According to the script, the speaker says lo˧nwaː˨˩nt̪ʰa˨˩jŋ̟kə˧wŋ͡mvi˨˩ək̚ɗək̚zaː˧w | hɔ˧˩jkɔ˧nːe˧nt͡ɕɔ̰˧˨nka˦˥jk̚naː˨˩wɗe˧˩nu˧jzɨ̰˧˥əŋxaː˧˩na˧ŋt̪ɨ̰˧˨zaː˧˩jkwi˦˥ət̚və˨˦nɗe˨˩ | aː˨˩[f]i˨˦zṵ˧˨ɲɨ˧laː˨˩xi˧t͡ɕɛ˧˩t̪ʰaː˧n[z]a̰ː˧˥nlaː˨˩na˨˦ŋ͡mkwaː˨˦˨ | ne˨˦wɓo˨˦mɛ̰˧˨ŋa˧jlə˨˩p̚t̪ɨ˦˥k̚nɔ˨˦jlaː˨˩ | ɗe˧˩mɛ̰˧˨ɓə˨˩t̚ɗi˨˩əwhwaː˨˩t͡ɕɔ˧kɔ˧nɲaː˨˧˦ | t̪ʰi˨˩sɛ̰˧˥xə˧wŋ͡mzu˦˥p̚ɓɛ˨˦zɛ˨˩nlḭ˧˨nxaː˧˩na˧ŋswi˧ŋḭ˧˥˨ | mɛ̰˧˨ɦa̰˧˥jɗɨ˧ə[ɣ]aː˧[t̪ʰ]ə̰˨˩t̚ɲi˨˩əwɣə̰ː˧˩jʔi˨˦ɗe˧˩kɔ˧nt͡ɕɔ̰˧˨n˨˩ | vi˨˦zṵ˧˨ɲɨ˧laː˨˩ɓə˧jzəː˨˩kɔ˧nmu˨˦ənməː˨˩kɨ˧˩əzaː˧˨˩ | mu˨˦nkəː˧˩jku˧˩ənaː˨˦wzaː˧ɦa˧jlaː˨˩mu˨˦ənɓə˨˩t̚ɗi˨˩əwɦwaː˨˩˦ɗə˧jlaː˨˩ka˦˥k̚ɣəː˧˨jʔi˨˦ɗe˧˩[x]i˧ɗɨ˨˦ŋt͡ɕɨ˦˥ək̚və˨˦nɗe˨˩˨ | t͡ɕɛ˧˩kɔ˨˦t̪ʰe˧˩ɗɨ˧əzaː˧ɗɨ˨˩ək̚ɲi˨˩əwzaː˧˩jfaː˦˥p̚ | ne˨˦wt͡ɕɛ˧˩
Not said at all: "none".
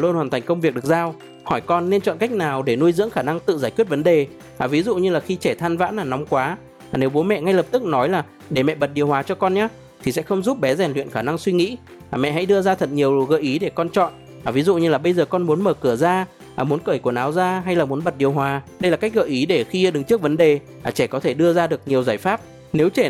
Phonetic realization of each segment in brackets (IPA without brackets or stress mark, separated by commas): v, v, z, t̪ʰ, x